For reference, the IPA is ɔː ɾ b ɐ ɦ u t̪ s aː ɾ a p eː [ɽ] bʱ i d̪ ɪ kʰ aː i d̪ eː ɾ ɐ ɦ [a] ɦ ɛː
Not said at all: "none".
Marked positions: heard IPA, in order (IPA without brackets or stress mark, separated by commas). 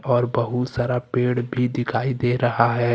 ɽ, a